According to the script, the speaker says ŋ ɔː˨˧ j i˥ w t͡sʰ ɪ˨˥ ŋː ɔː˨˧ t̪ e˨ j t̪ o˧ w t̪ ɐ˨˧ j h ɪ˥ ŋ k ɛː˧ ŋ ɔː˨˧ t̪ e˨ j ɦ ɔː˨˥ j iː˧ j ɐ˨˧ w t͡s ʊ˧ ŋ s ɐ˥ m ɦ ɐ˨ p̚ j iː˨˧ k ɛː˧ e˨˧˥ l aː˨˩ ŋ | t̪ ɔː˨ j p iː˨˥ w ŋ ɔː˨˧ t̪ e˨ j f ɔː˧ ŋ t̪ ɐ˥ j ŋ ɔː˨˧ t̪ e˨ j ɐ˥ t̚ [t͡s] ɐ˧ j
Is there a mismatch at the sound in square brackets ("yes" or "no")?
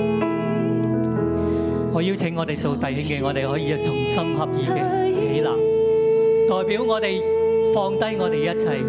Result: yes